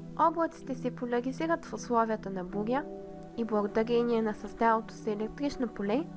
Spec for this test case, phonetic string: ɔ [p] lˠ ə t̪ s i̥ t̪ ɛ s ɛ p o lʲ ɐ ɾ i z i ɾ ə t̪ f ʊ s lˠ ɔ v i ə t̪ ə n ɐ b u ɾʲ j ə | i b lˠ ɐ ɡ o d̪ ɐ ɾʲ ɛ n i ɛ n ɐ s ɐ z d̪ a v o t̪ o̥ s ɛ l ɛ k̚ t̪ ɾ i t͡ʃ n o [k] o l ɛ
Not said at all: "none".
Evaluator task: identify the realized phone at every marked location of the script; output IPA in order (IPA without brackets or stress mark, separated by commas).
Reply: b, p